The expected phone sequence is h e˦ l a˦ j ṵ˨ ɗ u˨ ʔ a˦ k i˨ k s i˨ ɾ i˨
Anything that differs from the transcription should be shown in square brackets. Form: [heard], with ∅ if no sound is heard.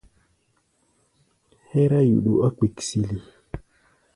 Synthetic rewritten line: h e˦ [ɾ] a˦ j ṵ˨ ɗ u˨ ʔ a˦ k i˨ k s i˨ [l] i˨